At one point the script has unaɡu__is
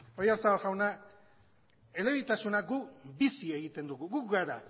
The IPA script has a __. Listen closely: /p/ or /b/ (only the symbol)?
b